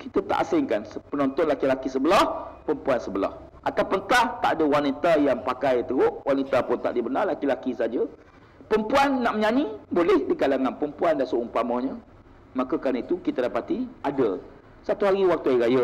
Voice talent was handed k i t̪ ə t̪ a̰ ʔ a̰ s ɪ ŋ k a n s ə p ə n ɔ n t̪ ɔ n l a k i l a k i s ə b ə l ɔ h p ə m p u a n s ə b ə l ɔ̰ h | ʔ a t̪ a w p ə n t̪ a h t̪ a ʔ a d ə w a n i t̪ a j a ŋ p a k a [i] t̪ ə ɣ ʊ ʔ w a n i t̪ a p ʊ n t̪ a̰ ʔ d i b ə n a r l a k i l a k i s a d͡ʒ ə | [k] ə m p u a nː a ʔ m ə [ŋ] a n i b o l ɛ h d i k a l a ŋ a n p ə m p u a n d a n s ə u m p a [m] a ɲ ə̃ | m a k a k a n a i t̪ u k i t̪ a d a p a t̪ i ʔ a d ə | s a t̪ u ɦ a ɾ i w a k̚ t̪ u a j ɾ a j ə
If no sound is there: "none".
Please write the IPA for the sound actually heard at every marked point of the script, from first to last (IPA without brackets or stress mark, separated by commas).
j, p, ɲ, m